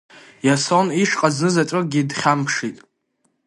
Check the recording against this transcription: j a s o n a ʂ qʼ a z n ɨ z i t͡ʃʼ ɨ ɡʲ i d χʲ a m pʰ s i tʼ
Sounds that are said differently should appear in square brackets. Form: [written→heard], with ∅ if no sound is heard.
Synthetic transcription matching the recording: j a s o n [a→i] ʂ qʼ a z n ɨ z [i→a] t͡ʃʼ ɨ ɡʲ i d χʲ a m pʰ [s→ʂ] i tʼ

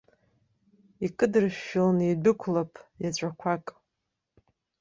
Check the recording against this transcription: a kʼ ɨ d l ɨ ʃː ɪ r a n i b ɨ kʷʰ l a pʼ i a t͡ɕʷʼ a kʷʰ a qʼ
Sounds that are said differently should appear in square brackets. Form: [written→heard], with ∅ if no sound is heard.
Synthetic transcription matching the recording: [a→i] kʼ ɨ d [l→r] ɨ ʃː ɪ [r→l] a n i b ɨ kʷʰ l a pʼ [i→j] a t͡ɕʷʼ a kʷʰ a [qʼ→kʼ]

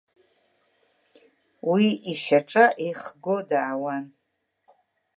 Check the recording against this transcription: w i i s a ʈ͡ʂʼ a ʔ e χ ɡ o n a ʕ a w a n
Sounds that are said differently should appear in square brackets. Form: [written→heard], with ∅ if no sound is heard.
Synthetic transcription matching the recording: w i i [s→ʃ] a ʈ͡ʂʼ a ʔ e χ ɡ o [n→d] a ʕ a w a n

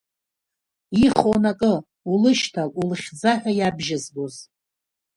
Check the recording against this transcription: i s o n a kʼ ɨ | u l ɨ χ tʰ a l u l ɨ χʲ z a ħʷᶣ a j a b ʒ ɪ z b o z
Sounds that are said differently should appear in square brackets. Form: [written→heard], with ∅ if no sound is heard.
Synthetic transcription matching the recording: i [s→χ] o n a kʼ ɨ | u l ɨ [χ→ʃ] tʰ a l u l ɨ χʲ [z→d͡z] a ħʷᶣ a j a b ʒ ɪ z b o z

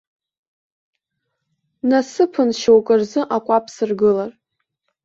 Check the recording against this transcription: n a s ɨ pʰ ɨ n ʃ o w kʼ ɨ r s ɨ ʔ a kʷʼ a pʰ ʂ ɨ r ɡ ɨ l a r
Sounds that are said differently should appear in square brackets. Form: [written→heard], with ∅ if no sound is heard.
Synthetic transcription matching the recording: n a s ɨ pʰ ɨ n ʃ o w kʼ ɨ r [s→z] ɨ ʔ a kʷʼ a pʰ [ʂ→s] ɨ r ɡ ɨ l a r

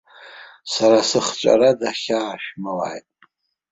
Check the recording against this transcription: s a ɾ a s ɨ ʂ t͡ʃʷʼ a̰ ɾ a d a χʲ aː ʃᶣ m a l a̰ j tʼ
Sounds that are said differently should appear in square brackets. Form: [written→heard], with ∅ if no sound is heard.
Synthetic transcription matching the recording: s a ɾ a s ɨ [ʂ→χ] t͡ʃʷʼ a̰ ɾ a d a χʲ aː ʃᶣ m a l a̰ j tʼ

